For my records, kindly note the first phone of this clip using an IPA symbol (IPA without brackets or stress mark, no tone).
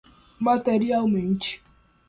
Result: m